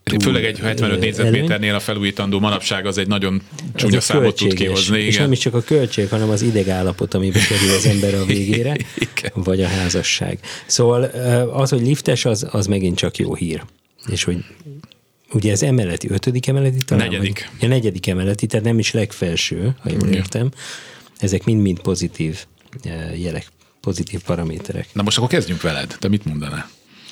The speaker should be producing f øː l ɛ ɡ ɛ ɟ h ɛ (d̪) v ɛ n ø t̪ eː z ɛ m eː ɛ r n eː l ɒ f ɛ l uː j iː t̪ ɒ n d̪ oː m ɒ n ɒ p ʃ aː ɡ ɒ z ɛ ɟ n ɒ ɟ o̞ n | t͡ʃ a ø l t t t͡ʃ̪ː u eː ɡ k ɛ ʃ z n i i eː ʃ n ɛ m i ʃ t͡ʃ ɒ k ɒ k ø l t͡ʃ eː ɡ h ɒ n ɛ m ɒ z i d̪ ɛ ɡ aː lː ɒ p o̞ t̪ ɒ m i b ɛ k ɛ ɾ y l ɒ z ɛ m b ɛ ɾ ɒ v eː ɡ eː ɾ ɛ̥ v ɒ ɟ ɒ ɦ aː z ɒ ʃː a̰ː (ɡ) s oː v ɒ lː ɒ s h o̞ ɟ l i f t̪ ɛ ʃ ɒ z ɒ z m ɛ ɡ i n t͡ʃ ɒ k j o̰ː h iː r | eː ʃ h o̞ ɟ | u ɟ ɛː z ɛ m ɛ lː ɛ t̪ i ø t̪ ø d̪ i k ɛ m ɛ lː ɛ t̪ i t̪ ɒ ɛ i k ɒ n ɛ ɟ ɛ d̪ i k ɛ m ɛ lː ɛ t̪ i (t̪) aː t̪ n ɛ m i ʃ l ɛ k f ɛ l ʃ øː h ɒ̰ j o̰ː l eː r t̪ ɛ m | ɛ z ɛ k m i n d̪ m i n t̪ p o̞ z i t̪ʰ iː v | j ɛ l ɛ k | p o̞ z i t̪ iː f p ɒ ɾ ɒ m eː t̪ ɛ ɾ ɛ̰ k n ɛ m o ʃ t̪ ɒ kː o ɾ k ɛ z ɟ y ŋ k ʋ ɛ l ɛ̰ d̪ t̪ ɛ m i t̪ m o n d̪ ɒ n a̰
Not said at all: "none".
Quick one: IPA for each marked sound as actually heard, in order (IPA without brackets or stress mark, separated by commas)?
t̪, ɡ, t̪